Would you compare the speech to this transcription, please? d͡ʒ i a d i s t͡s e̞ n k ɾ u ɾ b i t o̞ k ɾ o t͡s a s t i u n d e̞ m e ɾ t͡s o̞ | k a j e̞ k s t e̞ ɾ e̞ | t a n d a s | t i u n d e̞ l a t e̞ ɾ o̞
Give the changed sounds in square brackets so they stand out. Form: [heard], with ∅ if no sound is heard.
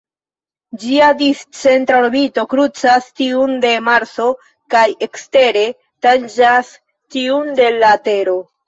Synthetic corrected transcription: d͡ʒ i a d i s t͡s e̞ n [t] ɾ [o] ɾ b i t o̞ k ɾ [u] t͡s a s t i u n d e̞ m [a] ɾ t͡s o̞ | k a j e̞ k s t e̞ ɾ e̞ | t a n [d͡ʒ] a s | t i u n d e̞ l a t e̞ ɾ o̞